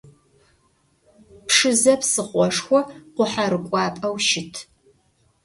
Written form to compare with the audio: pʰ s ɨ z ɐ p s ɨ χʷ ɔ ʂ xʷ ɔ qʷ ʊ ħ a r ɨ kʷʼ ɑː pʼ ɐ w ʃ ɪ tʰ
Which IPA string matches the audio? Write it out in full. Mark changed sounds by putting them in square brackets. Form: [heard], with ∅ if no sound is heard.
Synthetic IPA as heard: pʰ [ʂ] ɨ z ɐ p s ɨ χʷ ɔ ʂ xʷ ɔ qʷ ʊ ħ a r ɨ kʷʼ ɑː pʼ ɐ w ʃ ɪ tʰ